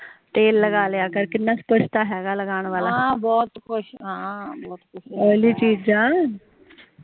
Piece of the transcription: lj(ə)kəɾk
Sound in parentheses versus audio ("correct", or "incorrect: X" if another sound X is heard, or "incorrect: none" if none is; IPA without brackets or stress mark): incorrect: a